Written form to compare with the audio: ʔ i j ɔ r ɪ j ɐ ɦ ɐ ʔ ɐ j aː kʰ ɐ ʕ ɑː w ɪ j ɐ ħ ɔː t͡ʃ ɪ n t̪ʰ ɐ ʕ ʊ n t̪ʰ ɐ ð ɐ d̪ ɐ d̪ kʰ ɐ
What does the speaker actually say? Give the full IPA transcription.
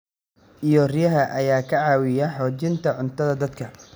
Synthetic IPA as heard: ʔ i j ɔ r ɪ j ɐ ɦ ɐ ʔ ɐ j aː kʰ ɐ ʕ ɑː w ɪ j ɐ ħ ɔː t͡ʃ ɪ n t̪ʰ ɐ ʕ ʊ n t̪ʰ ɐ ð ɐ d̪ ɐ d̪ kʰ ɐ

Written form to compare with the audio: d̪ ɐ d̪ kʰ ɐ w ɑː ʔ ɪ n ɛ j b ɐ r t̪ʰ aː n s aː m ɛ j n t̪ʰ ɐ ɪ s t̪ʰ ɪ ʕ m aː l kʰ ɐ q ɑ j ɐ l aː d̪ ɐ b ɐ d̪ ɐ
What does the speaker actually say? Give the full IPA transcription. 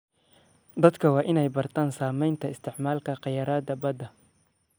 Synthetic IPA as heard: d̪ ɐ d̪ kʰ ɐ w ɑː ʔ ɪ n ɛ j b ɐ r t̪ʰ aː n s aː m ɛ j n t̪ʰ ɐ ɪ s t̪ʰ ɪ ʕ m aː l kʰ ɐ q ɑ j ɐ ɾ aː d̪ ɐ b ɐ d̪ ɐ

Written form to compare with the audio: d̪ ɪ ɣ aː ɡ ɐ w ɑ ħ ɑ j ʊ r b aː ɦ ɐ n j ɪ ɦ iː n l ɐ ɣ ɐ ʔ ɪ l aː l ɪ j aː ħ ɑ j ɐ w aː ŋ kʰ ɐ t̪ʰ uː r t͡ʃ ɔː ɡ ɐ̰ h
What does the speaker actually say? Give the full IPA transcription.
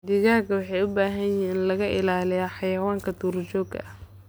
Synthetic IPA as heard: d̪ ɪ ɣ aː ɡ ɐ w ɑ ħ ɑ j ʊ b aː ɦ ɐ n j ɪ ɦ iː n l ɐ ɣ ɐ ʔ ɪ l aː l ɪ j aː ħ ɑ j ɐ w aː ŋ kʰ ɐ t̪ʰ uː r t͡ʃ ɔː ɡ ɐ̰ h

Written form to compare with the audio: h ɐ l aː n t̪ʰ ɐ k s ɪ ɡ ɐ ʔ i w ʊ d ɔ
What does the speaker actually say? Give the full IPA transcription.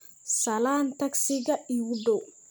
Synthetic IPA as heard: s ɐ l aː n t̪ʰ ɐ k s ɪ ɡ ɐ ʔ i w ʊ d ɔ

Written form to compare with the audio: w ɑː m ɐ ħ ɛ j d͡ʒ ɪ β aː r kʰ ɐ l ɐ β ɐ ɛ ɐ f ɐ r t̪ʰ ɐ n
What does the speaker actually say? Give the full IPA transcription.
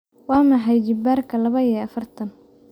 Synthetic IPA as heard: w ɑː m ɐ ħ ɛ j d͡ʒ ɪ b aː r kʰ ɐ l ɐ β ɐ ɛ ɐ f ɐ r t̪ʰ ɐ n

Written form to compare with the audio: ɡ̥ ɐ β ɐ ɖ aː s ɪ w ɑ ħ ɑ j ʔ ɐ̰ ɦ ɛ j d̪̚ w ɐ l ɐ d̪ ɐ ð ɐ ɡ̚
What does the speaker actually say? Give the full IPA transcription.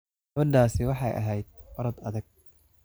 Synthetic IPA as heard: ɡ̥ ɐ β ɐ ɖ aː s ɪ w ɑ ħ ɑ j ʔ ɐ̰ ɦ ɛ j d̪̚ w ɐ ɾ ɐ d̪ ɐ ð ɐ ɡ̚

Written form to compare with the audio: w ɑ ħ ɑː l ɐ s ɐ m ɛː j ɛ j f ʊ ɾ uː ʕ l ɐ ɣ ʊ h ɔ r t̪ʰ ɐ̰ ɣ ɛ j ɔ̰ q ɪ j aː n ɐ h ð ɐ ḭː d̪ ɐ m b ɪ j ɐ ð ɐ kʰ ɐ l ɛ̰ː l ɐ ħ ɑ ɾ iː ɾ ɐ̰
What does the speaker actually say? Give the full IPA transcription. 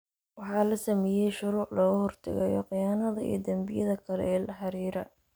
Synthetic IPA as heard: w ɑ ħ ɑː l ɐ s ɐ m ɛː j ɛ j ʃ ʊ ɾ uː ʕ l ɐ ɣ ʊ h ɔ r t̪ʰ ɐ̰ ɣ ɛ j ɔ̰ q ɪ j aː n ɐ ð ɐ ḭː d̪ ɐ m b ɪ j ɐ ð ɐ kʰ ɐ l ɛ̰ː l ɐ ħ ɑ ɾ iː ɾ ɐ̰

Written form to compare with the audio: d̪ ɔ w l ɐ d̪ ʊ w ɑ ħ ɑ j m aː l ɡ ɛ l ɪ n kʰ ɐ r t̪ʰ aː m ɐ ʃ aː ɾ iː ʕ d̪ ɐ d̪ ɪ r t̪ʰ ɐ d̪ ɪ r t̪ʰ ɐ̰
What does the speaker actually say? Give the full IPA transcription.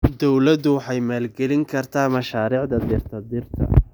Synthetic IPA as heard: d̪ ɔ w l ɐ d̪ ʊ w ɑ ħ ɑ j m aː l ɡ ɛ l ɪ ŋ kʰ ɐ r t̪ʰ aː m ɐ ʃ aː ɾ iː ʕ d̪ ɐ d̪ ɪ r t̪ʰ ɐ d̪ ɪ r t̪ʰ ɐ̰

